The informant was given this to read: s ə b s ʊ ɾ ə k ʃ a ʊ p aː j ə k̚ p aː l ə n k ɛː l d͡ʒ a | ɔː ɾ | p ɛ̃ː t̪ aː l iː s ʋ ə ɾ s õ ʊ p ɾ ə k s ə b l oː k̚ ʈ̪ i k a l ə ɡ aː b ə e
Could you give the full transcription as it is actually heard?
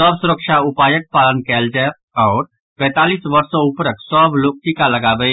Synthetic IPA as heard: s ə b s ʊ ɾ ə k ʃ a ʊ p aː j ə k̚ p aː l ə n k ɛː l d͡ʒ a | ɔː ɾ | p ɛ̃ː t̪ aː l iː s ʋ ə ɾ s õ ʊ p ɾ ə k s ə b l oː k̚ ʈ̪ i k a l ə ɡ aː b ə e